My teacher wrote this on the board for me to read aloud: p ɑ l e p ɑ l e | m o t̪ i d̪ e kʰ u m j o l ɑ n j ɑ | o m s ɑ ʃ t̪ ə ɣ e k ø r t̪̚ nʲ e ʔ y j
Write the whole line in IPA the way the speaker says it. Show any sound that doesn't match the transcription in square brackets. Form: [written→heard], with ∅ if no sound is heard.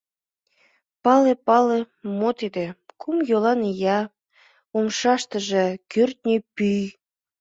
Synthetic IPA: p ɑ l e p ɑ l e | m o t̪ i d̪ e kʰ u m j o l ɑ n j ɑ | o m [s→ʃ] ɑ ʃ t̪ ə [ɣ→ʒ] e k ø r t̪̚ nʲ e [ʔ→p] y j